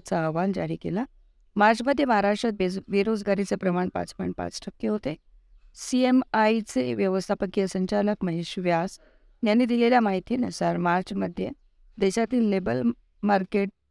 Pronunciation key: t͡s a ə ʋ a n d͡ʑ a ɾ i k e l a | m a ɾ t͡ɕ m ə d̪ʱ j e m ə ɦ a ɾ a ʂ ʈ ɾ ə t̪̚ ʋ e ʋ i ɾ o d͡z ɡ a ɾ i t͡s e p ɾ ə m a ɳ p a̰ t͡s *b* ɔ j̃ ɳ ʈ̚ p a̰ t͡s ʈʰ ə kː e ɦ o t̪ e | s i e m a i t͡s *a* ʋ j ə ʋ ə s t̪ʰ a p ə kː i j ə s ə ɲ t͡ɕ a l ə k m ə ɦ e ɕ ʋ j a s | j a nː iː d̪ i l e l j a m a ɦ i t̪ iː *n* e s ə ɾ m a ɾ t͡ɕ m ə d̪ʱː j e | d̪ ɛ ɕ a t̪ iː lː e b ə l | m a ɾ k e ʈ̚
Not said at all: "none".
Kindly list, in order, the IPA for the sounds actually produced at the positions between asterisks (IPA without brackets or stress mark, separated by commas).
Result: p, e, n